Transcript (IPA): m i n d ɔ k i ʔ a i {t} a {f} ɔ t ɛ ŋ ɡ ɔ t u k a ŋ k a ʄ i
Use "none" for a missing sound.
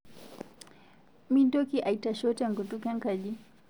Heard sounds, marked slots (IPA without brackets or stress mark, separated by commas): t, ʃ